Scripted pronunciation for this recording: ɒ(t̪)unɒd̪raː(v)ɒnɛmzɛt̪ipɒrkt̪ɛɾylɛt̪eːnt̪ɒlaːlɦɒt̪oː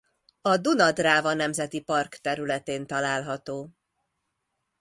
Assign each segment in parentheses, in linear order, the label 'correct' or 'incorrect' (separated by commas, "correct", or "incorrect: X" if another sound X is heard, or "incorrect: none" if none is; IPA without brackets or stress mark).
incorrect: d̪, correct